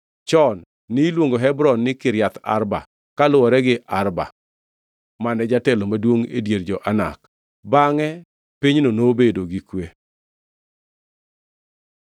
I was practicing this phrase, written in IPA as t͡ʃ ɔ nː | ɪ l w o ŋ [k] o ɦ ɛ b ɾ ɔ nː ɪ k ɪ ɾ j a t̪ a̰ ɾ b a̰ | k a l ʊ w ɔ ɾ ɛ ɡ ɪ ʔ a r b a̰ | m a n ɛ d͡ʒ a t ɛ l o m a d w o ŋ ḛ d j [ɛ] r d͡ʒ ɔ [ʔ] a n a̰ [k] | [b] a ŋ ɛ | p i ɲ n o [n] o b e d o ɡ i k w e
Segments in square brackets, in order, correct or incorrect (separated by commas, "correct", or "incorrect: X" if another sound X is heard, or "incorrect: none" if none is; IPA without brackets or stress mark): incorrect: ɡ, incorrect: e, correct, correct, correct, correct